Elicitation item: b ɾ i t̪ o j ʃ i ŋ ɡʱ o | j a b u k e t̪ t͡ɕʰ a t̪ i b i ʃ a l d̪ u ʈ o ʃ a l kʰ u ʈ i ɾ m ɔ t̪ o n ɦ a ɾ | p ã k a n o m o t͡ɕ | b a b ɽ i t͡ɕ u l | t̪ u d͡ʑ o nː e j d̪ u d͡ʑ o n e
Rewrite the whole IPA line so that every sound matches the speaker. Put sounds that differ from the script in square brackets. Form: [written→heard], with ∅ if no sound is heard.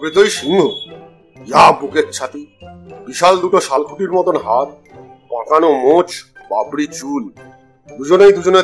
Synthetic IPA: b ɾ i t̪ o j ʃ i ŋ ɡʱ o | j a b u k e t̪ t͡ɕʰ a t̪ i b i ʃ a l d̪ u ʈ o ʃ a l kʰ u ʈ i ɾ m ɔ t̪ o n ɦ a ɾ | p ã k a n o m o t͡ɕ | b a b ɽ i t͡ɕ u l | [t̪→d̪] u d͡ʑ o [nː→n] e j d̪ u d͡ʑ o n e